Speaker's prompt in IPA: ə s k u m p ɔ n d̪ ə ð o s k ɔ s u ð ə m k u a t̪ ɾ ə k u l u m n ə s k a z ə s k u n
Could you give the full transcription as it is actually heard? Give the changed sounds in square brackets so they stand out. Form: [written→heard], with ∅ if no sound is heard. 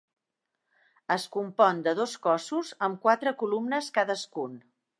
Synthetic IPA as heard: ə s k u m p ɔ n d̪ ə ð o s k ɔ s u [ð→z] ə m k [u→w] a t̪ ɾ ə k u l u m n ə s k a [z→ð] ə s k u n

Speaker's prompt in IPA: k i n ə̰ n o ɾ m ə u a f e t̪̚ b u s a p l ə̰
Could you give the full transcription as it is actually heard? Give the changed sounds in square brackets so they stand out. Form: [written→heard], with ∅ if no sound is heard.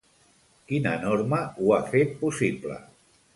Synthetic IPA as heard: k i n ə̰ n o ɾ m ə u a f e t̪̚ [b→p] u s [a→i] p l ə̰

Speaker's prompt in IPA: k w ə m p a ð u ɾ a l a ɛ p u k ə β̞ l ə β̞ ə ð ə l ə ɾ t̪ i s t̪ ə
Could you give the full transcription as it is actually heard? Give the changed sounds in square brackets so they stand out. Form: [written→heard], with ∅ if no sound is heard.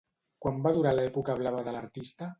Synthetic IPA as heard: k w [ə→a] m [p→b] a ð u ɾ a l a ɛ p u k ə β̞ l [ə→a] β̞ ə ð ə l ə ɾ t̪ i s t̪ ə

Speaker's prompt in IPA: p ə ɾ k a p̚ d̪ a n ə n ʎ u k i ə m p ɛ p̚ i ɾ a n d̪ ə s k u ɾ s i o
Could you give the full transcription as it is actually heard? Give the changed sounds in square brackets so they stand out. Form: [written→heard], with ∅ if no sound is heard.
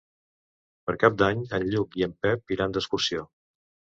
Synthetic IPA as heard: p ə ɾ k a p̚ d̪ a [n→ɲ] ə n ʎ u k i ə m p ɛ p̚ i ɾ a n d̪ ə s k u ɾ s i o

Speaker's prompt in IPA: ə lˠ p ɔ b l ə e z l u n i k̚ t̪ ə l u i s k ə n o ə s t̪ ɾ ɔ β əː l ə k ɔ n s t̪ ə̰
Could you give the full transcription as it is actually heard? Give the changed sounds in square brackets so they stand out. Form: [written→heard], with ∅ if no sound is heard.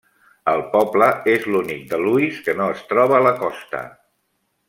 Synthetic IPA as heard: ə lˠ p ɔ b l ə e z l u n i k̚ [t̪→d̪] ə l u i s k ə n o ə s t̪ ɾ ɔ β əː l ə k ɔ [n→∅] s t̪ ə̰

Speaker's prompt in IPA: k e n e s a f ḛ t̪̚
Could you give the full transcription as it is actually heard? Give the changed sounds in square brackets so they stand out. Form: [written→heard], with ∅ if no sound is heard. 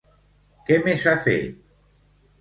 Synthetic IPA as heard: k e [n→m] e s a f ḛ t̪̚

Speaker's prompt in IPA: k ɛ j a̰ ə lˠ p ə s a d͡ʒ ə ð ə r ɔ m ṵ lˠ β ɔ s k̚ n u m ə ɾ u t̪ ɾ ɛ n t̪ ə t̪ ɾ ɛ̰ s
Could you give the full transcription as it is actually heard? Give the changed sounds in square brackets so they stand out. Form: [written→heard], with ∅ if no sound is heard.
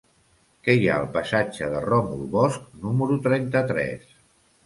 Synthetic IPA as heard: k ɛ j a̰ ə lˠ p ə s a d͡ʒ ə ð ə r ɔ m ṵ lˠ β ɔ s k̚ n u m ə ɾ u t̪ ɾ ɛ n t̪ ə t̪ ɾ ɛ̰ s

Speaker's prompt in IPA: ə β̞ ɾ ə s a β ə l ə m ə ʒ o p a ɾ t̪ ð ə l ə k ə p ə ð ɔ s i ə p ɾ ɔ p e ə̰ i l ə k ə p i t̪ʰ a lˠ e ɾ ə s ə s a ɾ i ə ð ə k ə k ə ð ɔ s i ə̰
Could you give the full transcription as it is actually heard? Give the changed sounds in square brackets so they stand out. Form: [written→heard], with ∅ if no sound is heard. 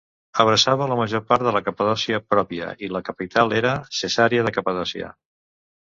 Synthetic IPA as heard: ə β̞ ɾ ə s a β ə l ə m ə ʒ o p a ɾ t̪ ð ə l ə k ə p ə ð ɔ s i ə p ɾ ɔ p [e→i] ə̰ i l ə k ə p i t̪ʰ a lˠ e ɾ ə s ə s a ɾ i ə ð ə k ə [k→p] ə ð ɔ s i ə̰

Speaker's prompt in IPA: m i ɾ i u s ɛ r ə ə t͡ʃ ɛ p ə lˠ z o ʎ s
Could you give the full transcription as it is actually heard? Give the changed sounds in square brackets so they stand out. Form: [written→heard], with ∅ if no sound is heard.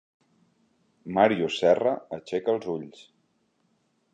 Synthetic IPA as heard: m [i→a] ɾ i u s ɛ r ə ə t͡ʃ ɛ [p→k] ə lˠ z [o→u] ʎ s

